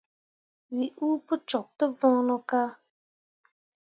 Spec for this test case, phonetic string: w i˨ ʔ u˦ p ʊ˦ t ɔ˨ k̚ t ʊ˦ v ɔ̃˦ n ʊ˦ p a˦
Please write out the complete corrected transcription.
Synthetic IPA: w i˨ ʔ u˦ p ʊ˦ t͡ʃ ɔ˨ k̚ t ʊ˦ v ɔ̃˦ n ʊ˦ k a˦